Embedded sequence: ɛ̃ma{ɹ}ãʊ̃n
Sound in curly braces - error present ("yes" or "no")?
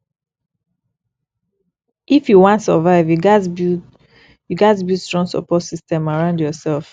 no